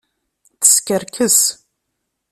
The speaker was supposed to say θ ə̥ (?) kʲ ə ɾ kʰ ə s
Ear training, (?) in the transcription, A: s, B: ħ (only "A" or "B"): A